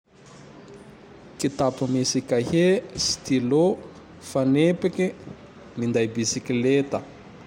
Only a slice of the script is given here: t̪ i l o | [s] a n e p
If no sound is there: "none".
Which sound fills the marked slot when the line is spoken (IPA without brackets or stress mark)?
f